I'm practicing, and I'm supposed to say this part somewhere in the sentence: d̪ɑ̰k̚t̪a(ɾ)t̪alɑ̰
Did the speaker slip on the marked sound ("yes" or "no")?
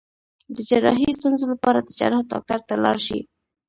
no